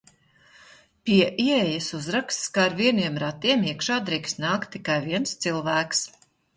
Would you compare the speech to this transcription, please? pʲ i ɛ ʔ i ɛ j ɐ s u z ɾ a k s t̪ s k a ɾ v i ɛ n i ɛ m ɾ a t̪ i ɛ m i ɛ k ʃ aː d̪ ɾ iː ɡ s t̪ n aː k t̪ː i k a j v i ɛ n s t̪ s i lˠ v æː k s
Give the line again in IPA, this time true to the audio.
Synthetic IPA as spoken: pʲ i ɛ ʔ i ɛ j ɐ s u z ɾ a k s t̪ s k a ɾ v i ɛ n i ɛ m ɾ a t̪ i ɛ m i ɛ k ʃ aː d̪ ɾ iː k s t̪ n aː k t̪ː i k a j v i ɛ n s t̪ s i lˠ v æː k s